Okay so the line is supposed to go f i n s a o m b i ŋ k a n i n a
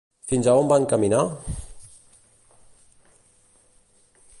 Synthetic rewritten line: f i n z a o m b a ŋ k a m i n a